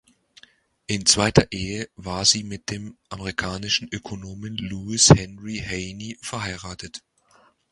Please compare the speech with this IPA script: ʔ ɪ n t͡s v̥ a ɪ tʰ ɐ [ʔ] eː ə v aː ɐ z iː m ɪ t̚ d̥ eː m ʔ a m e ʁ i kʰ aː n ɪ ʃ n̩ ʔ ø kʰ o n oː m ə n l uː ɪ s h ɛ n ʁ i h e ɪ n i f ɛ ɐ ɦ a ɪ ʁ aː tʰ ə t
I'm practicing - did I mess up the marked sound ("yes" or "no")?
no